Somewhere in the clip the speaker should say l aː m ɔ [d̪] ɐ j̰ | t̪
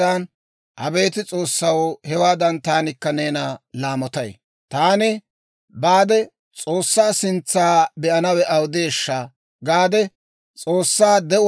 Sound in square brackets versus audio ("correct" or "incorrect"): incorrect